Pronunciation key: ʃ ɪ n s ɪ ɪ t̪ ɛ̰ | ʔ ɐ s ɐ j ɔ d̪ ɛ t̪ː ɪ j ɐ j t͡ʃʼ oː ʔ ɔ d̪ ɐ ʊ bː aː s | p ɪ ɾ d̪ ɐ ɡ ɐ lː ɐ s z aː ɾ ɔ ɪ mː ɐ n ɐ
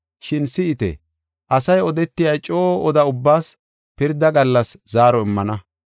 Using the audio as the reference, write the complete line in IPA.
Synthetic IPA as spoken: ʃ ɪ n s ɪ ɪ t̪ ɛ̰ | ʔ ɐ s ɐ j ɔ d̪ ɛ t̪ː ɪ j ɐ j t͡ʃʼ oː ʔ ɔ d̪ ɐ ʊ bː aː s | p ɪ ɾ d̪ ɐ ɡ ɐ lː ɐ s z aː ɾ ɔ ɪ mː ɐ n ɐ

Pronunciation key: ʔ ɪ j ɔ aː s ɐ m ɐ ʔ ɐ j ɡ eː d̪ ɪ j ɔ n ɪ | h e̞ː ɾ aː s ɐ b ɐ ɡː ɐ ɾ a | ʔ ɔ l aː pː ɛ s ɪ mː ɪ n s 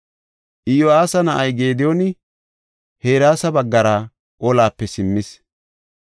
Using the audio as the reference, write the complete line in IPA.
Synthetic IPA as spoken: ʔ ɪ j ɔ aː s ɐ n ɐ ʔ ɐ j ɡ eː d̪ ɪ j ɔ n ɪ | h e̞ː ɾ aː s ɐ b ɐ ɡː ɐ ɾ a | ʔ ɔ l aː pː ɛ s ɪ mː ɪ s

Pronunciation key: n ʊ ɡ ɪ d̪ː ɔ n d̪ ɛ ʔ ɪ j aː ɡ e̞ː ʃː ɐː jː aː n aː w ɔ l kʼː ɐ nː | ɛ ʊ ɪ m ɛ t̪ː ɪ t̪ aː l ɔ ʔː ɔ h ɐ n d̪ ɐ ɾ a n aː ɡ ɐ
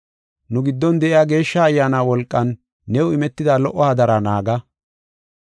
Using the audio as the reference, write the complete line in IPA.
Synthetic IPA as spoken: n ʊ ɡ ɪ d̪ː ɔ n d̪ ɛ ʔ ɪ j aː ɡ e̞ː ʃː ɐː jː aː n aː w ɔ l kʼː ɐ nː | ɛ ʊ ɪ m ɛ t̪ː ɪ d̪ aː l ɔ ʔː ɔ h ɐ d̪ ɐ ɾ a n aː ɡ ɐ

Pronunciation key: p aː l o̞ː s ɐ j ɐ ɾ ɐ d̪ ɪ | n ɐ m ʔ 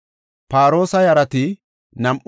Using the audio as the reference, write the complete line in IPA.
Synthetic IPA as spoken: p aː ɾ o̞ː s ɐ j ɐ ɾ ɐ t̪ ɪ | n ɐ m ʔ

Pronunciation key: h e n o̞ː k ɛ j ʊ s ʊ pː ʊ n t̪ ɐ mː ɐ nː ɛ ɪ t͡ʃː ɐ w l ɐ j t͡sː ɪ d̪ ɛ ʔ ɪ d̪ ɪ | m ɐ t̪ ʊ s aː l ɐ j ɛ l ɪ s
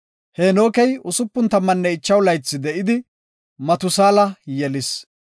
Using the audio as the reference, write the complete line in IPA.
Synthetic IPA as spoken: h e n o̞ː k ɛ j ʊ s ʊ pː ʊ n t̪ ɐ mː ɐ nː ɛ ɪ t͡ʃː ɐ w l ɐ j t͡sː ɪ d̪ ɛ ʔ ɪ d̪ ɪ | m ɐ t̪ ʊ s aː l ɐ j ɛ l ɪ s

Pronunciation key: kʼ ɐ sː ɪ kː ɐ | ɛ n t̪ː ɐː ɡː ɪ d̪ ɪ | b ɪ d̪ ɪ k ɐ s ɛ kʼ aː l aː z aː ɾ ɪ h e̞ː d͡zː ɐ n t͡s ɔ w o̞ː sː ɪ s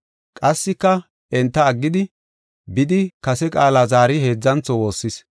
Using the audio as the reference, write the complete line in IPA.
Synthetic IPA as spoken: kʼ ɐ sː ɪ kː ɐ | ɛ n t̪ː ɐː ɡː ɪ d̪ ɪ | b ɪ d̪ ɪ k ɐ s ɛ kʼ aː l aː z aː ɾ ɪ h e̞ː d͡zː ɐ n t͡s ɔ w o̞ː sː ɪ s

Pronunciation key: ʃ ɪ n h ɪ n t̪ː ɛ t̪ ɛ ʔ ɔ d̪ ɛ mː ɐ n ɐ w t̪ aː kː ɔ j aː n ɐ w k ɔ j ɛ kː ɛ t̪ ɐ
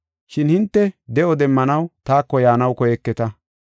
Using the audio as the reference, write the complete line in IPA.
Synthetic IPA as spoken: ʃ ɪ n h ɪ n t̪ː ɛ d̪ ɛ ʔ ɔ d̪ ɛ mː ɐ n ɐ w t̪ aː kː ɔ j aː n ɐ w k ɔ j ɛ kː ɛ t̪ ɐ

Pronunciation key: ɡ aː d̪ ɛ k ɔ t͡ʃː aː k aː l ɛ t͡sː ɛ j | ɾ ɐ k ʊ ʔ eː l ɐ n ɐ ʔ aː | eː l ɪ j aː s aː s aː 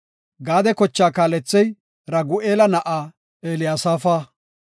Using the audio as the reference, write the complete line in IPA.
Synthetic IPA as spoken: ɡ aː d̪ ɛ k ɔ t͡ʃː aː k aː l ɛ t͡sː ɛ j | ɾ ɐ ɡ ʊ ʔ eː l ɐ n ɐ ʔ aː | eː l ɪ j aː s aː f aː

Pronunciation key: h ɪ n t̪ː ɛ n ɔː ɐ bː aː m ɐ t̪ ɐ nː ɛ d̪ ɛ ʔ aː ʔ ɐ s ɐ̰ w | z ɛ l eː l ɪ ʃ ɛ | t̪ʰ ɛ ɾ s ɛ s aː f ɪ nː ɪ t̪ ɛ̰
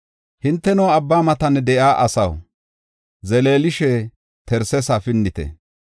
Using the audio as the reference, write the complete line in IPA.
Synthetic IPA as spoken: h ɪ n t̪ː ɛ n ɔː ɐ bː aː m ɐ t̪ ɐ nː ɛ d̪ ɛ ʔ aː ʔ ɐ s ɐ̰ w | z ɛ l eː l ɪ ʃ ɛ | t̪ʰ ɛ ɾ s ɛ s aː f ɪ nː ɪ t̪ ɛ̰

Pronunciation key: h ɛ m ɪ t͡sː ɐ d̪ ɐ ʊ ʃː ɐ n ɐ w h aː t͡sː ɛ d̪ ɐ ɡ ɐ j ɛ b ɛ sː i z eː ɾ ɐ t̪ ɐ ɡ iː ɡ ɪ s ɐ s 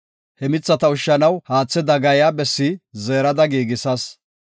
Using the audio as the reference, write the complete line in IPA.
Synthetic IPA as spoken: h ɛ m ɪ t͡sː ɐ t̪ ɐ ʊ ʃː ɐ n ɐ w h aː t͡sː ɛ d̪ ɐ ɡ ɐ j a b ɛ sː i z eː ɾ ɐ d̪ ɐ ɡ iː ɡ ɪ s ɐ s

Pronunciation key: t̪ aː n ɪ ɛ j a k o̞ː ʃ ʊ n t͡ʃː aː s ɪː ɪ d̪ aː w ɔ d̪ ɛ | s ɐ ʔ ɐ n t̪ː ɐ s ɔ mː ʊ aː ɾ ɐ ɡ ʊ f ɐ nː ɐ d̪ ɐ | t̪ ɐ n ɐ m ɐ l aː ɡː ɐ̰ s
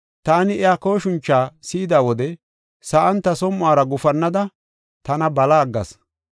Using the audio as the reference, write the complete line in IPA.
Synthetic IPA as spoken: t̪ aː n ɪ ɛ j a k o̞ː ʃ ʊ n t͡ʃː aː s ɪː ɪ d̪ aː w ɔ d̪ ɛ | s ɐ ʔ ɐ n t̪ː ɐ s ɔ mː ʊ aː ɾ ɐ ɡ ʊ f ɐ nː ɐ d̪ ɐ | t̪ ɐ n ɐ b ɐ l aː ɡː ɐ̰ s

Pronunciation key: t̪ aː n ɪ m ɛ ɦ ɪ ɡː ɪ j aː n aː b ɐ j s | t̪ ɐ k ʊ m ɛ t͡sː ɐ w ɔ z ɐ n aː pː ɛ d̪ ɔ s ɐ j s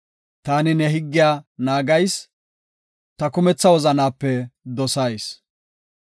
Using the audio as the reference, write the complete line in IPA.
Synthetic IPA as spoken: t̪ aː n ɪ n ɛ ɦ ɪ ɡː ɪ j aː n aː ɡ ɐ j s | t̪ ɐ k ʊ m ɛ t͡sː ɐ w ɔ z ɐ n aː pː ɛ d̪ ɔ s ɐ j s

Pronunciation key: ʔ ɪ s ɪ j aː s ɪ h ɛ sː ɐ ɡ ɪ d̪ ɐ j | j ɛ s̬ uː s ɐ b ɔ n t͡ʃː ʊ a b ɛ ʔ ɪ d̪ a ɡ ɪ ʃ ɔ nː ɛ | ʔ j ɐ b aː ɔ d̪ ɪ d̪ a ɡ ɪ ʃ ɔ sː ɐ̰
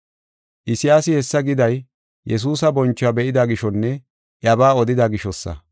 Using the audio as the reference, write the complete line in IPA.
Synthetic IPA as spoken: ʔ ɪ s ɪ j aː s ɪ h ɛ sː ɐ ɡ ɪ d̪ ɐ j | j ɛ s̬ uː s ɐ b ɔ n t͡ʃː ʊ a b ɛ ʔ ɪ d̪ a ɡ ɪ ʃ ɔ nː ɛ | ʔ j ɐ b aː ɔ d̪ ɪ d̪ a ɡ ɪ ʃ ɔ sː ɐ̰

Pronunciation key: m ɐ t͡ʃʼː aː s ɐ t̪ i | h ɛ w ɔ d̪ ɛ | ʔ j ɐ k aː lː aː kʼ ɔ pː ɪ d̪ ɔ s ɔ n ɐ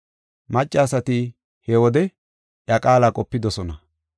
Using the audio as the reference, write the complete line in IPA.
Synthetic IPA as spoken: m ɐ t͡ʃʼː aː s ɐ t̪ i | h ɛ w ɔ d̪ ɛ | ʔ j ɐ kʼ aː l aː kʼ ɔ pː ɪ d̪ ɔ s ɔ n ɐ

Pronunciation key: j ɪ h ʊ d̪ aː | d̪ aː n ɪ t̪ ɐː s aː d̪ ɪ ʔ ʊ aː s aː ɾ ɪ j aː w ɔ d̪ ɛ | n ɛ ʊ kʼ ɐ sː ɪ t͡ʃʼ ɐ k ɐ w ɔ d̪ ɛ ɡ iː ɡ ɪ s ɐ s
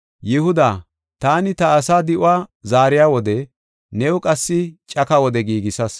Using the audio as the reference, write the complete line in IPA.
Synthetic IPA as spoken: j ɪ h ʊ d̪ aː | t̪ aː n ɪ t̪ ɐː s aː d̪ ɪ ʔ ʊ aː z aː ɾ ɪ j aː w ɔ d̪ ɛ | n ɛ ʊ kʼ ɐ sː ɪ t͡ʃʼ ɐ k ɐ w ɔ d̪ ɛ ɡ iː ɡ ɪ s ɐ s

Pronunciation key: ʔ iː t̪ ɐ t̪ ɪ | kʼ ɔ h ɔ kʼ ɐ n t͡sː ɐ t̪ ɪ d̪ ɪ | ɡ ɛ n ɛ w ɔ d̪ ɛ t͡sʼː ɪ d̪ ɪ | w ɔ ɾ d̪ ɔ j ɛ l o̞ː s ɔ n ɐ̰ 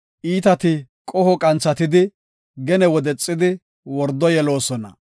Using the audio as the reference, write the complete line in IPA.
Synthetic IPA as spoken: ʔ iː t̪ ɐ t̪ ɪ | kʼ ɔ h ɔ kʼ ɐ n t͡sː ɐ t̪ ɪ d̪ ɪ | ɡ ɛ n ɛ w ɔ d̪ ɛ t͡sʼː ɪ d̪ ɪ | w ɔ ɾ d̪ ɔ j ɛ l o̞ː s ɔ n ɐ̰

